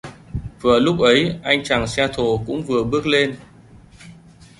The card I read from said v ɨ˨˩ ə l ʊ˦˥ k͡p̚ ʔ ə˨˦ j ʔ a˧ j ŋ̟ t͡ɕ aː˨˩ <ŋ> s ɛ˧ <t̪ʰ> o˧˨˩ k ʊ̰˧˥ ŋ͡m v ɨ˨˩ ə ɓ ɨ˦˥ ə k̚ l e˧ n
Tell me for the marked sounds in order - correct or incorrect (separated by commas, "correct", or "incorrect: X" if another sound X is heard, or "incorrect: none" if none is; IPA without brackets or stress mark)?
correct, correct